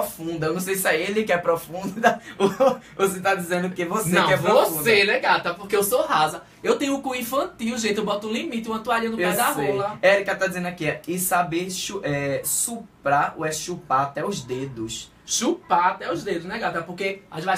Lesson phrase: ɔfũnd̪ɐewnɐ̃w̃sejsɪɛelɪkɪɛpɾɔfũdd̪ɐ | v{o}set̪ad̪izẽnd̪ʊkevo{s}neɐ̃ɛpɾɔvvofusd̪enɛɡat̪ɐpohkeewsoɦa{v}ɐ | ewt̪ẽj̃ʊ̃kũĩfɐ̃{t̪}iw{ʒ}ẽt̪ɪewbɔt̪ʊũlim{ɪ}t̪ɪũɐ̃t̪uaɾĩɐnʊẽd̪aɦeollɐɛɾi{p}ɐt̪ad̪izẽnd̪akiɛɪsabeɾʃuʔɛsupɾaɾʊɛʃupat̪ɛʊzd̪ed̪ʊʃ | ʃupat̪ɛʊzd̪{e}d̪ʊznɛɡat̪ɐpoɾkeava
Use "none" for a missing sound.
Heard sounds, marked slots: o, s, z, t̪, ʒ, i, k, e

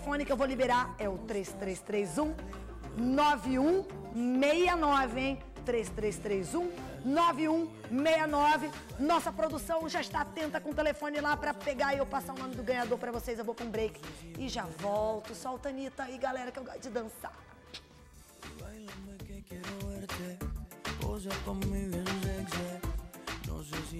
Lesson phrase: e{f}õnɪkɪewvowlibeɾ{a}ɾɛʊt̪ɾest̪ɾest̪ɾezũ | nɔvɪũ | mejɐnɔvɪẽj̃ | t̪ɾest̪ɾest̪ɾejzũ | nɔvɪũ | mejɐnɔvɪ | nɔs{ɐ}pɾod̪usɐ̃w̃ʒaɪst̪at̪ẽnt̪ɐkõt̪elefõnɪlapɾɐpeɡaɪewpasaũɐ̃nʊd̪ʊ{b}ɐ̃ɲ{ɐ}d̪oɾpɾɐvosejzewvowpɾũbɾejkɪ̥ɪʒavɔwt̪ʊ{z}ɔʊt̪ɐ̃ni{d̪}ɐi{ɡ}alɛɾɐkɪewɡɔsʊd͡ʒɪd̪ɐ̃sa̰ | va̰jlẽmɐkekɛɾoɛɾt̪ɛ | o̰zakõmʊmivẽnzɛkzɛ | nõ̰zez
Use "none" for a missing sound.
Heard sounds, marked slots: f, a, ɐ, ɡ, a, s, t̪, ɡ

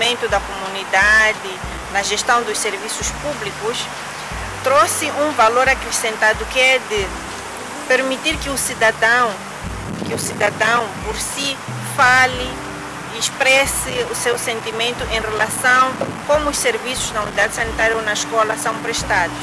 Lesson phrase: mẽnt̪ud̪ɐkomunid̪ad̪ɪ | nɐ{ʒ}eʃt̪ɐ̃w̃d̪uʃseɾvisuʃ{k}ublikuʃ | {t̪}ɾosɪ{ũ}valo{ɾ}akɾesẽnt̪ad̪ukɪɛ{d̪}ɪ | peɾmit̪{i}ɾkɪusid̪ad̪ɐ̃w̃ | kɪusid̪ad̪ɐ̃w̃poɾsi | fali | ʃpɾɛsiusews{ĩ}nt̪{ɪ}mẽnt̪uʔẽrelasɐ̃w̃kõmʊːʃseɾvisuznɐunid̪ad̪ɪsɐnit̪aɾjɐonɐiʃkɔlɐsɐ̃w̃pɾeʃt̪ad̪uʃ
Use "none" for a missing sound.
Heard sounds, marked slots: ʒ, p, t̪, ũ, ɾ, d̪, i, ẽ, i

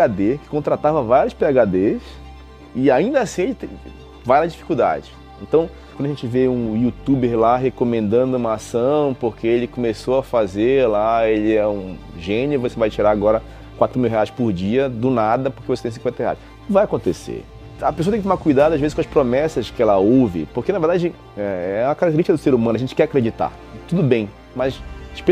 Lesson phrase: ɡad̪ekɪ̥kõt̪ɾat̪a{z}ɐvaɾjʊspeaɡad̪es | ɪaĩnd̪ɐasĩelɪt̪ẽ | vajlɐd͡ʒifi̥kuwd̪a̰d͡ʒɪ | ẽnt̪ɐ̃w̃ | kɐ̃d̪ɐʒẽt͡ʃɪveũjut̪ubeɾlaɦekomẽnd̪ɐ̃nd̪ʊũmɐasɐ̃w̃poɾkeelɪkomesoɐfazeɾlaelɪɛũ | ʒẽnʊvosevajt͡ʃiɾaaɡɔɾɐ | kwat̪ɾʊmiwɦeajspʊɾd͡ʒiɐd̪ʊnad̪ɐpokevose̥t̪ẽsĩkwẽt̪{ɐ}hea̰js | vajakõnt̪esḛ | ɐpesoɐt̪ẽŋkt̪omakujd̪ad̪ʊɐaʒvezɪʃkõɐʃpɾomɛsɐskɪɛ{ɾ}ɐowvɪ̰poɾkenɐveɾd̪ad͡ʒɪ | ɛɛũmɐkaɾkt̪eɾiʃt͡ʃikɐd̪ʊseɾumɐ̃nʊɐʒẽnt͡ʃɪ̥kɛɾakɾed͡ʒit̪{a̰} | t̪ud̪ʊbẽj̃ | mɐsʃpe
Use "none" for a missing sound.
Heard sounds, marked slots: v, ɐ, l, a̰

